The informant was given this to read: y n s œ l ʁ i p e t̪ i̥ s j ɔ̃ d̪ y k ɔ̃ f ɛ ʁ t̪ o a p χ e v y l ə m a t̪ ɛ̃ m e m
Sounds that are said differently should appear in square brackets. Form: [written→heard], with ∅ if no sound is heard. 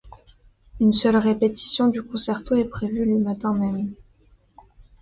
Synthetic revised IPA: y n s œ l ʁ [i→e] p e t̪ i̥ s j ɔ̃ d̪ y k ɔ̃ [f→s] ɛ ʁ t̪ o [a→ɛ] p χ e v y l ə m a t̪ ɛ̃ m [e→ɛ] m

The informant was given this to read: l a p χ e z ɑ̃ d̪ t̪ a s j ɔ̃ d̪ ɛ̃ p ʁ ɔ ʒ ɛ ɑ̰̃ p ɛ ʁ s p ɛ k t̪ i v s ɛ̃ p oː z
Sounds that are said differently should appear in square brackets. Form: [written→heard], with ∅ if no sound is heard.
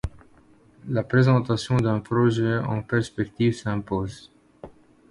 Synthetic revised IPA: l a p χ e z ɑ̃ [d̪→∅] t̪ a s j ɔ̃ d̪ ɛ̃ p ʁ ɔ ʒ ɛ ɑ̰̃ p ɛ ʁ s p ɛ k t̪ i v s ɛ̃ p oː z

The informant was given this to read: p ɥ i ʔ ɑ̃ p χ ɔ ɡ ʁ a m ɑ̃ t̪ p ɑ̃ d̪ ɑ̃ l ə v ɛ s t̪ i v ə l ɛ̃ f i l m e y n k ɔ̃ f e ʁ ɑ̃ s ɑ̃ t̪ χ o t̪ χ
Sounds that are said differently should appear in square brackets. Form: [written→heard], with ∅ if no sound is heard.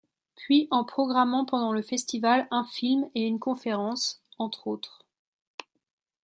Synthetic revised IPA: p ɥ i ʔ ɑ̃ p χ ɔ ɡ ʁ a m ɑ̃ [t̪→∅] p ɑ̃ d̪ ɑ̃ l ə [v→f] ɛ s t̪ i v [ə→a] l ɛ̃ f i l m e y n k ɔ̃ f e ʁ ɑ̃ s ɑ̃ t̪ χ o t̪ χ

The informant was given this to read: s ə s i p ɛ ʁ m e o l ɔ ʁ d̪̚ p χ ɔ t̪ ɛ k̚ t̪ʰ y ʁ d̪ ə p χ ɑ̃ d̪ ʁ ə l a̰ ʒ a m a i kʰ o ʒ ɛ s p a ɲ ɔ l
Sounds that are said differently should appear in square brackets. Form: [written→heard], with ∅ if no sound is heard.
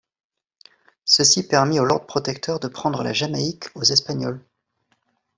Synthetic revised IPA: s ə s i p ɛ ʁ m [e→i] o l ɔ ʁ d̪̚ p χ ɔ t̪ ɛ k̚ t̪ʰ [y→œ] ʁ d̪ ə p χ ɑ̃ d̪ ʁ ə l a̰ ʒ a m a i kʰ o [ʒ→z] ɛ s p a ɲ ɔ l

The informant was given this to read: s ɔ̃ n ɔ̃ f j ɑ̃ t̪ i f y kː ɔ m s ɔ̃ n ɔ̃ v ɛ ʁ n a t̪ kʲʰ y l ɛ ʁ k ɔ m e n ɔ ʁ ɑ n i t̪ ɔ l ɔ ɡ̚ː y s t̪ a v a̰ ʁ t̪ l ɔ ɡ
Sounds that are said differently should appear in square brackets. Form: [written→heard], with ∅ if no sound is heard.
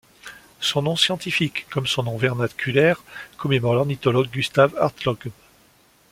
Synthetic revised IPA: s ɔ̃ n ɔ̃ [f→s] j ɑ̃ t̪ i f [y→i] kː ɔ m s ɔ̃ n ɔ̃ v ɛ ʁ n a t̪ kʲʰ y l ɛ ʁ k ɔ m e [n→m] ɔ ʁ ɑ n i t̪ ɔ l ɔ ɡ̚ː y s t̪ a v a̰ ʁ t̪ l ɔ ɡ

